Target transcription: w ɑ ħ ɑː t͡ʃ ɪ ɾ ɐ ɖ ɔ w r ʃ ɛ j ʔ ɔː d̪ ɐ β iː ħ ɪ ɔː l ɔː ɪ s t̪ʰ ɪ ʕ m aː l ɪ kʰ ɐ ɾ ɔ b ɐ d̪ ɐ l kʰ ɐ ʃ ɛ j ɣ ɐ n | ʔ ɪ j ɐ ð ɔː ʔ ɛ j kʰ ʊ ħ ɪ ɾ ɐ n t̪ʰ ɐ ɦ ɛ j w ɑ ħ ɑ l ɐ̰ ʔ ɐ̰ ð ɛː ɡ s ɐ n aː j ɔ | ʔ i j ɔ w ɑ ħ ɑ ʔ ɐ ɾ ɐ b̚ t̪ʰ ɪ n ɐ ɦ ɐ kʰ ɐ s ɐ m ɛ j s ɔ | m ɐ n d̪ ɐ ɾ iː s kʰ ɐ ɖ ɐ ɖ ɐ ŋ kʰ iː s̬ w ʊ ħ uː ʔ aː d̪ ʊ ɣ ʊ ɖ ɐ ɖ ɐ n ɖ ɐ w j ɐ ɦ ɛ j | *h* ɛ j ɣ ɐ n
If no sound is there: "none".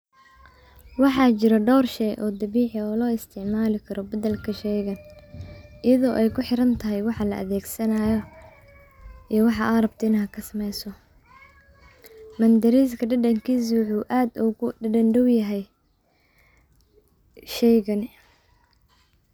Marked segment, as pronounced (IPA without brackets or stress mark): ʃ